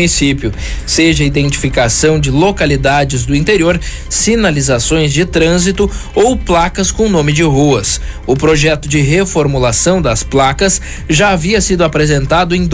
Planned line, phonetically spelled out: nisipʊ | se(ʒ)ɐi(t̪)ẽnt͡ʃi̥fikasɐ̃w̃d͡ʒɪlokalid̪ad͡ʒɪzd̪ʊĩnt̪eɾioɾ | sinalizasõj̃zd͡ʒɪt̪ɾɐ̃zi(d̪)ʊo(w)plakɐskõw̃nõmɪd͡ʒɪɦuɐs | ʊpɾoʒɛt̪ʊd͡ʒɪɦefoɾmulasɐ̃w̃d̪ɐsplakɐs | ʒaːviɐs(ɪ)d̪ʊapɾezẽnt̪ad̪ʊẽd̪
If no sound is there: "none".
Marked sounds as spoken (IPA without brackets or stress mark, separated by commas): ʒ, d̪, t̪, w, i